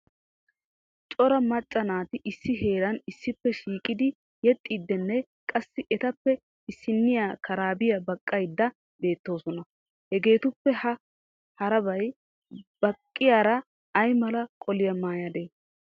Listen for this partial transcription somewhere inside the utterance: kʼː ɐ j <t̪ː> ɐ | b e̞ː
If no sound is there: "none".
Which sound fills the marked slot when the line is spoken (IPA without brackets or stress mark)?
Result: d̪ː